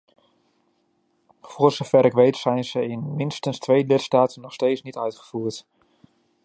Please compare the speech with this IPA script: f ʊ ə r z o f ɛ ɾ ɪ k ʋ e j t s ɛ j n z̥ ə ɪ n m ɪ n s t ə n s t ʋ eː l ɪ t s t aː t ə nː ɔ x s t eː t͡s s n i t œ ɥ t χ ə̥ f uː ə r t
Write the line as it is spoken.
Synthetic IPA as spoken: f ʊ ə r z o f ɛ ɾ ɪ k ʋ e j t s ɛ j n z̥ ə ɪ n m ɪ n s t ə n s t ʋ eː l ɪ t s t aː t ə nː ɔ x s t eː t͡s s n i t œ ɥ t χ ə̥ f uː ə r t